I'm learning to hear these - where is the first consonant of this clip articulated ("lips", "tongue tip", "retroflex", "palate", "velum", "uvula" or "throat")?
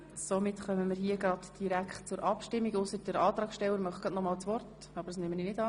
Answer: tongue tip